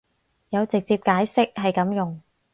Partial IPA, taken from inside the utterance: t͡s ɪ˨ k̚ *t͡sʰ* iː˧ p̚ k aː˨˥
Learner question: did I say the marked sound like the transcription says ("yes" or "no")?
no